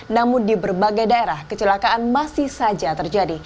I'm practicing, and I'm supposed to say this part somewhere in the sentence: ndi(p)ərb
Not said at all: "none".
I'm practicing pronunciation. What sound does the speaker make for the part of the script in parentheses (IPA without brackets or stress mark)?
b